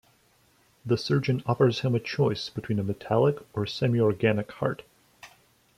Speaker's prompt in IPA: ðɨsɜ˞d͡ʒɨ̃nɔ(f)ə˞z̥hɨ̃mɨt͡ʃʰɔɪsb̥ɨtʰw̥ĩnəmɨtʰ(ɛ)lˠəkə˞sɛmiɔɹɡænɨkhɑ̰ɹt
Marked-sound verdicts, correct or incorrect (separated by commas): correct, incorrect